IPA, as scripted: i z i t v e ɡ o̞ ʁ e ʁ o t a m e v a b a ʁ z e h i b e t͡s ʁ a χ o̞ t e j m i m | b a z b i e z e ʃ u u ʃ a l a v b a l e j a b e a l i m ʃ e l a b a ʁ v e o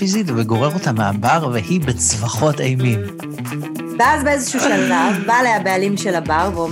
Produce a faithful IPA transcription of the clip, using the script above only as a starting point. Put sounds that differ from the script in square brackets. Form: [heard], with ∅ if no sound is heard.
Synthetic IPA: i z i t v e ɡ o̞ ʁ e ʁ o t a m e [∅] a b a ʁ [v] e h i b e t͡s [v] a χ o̞ t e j m i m | b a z b [e] e z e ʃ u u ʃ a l a v b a l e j a b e a l i m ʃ e l a b a ʁ v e o